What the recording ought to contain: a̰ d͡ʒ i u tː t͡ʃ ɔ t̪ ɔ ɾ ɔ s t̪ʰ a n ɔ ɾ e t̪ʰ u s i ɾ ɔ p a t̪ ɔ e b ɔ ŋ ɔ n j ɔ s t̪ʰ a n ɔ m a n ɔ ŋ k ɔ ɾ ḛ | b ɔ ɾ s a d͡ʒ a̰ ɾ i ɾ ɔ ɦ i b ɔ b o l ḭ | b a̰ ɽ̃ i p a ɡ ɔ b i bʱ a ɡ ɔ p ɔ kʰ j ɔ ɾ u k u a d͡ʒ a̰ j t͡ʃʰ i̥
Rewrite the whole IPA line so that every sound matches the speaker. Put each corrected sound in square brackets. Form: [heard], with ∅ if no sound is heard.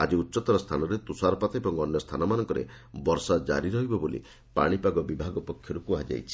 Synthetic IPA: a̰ d͡ʒ i u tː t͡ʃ ɔ t̪ ɔ ɾ ɔ s t̪ʰ a n ɔ ɾ e [t̪] u s [a] ɾ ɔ p a t̪ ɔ e b ɔ ŋ ɔ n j ɔ s t̪ʰ a n ɔ m a n ɔ ŋ k ɔ ɾ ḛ | b ɔ ɾ s a d͡ʒ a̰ ɾ i ɾ ɔ ɦ i b ɔ b o l ḭ | [p] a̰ ɽ̃ i p a ɡ ɔ b i bʱ a ɡ ɔ p ɔ kʰ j ɔ ɾ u k u a d͡ʒ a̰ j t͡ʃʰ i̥